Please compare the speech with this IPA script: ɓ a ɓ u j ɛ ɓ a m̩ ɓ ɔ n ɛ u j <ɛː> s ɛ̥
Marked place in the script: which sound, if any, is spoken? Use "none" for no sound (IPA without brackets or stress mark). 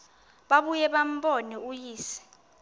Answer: iː